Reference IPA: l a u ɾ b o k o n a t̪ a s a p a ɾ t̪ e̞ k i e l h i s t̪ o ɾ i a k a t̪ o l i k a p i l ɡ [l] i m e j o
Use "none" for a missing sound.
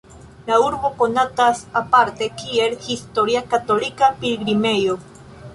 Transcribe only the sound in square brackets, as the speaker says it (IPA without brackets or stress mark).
ɾ